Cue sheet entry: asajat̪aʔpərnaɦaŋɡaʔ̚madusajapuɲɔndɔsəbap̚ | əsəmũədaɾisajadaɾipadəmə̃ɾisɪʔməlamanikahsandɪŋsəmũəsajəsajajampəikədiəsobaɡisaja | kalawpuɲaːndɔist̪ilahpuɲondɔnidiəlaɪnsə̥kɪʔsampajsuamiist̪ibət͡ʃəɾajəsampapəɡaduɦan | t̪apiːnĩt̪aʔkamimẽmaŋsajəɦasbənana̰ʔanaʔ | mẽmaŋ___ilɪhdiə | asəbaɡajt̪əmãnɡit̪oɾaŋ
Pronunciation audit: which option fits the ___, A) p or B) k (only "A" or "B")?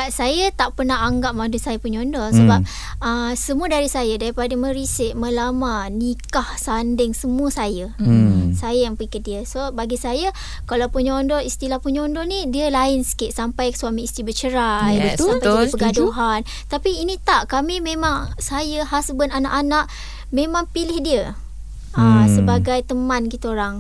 A